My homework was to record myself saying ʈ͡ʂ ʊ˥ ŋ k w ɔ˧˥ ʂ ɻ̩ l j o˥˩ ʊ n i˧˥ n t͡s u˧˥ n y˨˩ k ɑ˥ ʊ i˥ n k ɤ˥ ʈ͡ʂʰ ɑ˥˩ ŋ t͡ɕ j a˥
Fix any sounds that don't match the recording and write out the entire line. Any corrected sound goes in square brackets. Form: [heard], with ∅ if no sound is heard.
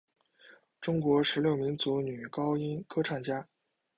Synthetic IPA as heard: ʈ͡ʂ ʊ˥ ŋ k w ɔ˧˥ ʂ ɻ̩ l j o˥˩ ʊ [m] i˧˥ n t͡s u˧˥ n y˨˩ k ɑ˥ ʊ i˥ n [kʰ] ɤ˥ ʈ͡ʂʰ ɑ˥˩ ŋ t͡ɕ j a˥